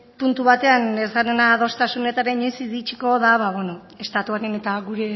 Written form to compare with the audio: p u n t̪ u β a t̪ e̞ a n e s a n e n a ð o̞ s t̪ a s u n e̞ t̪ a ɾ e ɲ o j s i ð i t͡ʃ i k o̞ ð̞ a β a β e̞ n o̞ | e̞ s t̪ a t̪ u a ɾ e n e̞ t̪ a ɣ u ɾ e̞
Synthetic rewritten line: p u n t̪ u β a t̪ e̞ a n e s a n e n a ð o̞ s t̪ a s u n e̞ t̪ a ɾ e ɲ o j s i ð i t͡ʃ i k o̞ ð̞ a β a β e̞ n o̞ | e̞ s t̪ a t̪ u a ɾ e n e̞ t̪ a ɣ u ɾ e̞